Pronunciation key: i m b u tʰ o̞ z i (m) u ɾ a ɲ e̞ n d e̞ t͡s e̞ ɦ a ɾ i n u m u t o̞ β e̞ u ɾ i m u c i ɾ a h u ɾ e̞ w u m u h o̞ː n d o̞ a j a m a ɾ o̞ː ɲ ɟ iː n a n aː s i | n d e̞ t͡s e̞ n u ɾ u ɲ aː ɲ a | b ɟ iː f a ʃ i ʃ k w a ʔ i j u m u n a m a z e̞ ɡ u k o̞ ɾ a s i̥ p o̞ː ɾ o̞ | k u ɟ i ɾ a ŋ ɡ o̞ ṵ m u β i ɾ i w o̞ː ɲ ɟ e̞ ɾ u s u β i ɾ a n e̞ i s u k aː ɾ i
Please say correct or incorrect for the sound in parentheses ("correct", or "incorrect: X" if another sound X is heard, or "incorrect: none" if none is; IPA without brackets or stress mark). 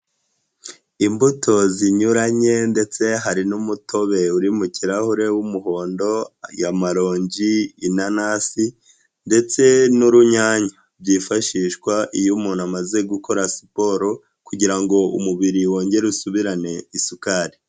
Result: incorrect: ɲ